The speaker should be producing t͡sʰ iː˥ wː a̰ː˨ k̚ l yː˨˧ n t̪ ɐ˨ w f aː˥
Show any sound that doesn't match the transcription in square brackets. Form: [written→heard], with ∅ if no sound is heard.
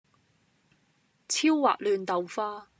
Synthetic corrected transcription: t͡sʰ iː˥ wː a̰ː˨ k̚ l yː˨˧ n t̪ ɐ˨ w f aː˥